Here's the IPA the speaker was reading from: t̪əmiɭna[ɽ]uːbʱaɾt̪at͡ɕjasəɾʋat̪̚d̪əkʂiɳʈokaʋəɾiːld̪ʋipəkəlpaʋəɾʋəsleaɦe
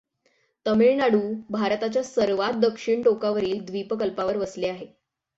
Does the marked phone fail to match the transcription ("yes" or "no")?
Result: no